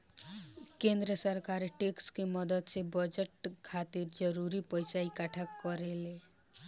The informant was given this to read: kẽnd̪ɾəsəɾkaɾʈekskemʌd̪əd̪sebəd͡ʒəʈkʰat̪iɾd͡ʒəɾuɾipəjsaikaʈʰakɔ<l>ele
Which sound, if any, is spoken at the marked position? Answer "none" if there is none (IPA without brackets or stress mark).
ɾ